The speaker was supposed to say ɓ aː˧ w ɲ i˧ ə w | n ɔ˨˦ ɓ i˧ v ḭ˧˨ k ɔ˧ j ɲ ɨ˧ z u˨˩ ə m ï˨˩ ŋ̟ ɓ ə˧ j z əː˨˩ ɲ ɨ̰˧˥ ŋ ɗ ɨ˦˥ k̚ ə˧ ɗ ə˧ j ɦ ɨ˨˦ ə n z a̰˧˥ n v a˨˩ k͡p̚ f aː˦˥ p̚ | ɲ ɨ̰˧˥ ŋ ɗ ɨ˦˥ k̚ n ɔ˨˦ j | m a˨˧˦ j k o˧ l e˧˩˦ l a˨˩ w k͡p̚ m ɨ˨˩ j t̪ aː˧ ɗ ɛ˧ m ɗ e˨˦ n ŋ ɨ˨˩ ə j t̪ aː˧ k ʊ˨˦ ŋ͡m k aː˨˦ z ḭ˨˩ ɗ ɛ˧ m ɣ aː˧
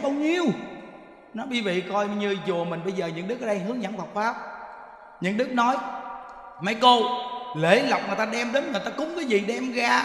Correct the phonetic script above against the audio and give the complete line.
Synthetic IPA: ɓ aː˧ w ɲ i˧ ə w | n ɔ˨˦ ɓ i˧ v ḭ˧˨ k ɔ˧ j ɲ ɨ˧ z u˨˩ ə m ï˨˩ ŋ̟ ɓ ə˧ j z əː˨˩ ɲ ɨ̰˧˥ ŋ ɗ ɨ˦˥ k̚ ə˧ ɗ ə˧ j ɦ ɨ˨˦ ə ŋ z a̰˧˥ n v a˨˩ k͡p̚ f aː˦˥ p̚ | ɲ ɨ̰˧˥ ŋ ɗ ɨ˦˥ k̚ n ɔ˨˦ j | m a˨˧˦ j k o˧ l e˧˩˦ l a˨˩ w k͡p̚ ŋ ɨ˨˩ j t̪ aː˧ ɗ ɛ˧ m ɗ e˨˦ n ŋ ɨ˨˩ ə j t̪ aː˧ k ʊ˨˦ ŋ͡m k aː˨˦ z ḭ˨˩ ɗ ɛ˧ m ɣ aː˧